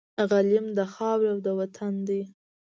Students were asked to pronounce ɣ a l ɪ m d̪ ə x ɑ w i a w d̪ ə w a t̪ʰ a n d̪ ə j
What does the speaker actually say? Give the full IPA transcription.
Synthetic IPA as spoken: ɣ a l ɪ m d̪ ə x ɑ w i a w d̪ ə w a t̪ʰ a n d̪ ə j